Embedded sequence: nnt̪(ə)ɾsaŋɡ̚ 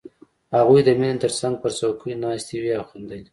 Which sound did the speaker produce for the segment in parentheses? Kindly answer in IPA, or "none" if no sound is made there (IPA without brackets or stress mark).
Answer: ə